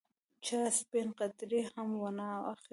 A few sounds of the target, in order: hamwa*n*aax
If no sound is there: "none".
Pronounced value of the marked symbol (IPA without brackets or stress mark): n